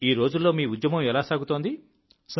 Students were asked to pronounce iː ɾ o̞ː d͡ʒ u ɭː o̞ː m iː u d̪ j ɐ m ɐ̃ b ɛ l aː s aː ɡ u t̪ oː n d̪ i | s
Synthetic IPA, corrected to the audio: iː ɾ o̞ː d͡ʒ u lː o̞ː m iː u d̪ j ɐ m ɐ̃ m ɛ l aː s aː ɡ u t̪ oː n d̪ i | s